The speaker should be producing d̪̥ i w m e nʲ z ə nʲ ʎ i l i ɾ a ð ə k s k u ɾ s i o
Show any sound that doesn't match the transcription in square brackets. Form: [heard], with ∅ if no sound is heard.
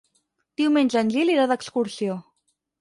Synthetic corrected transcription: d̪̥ i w m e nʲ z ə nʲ ʎ i l i ɾ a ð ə k s k u ɾ s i o